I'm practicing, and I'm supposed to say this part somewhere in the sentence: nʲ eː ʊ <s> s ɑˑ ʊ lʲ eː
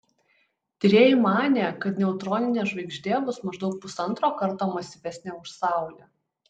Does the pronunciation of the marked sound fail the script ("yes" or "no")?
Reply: yes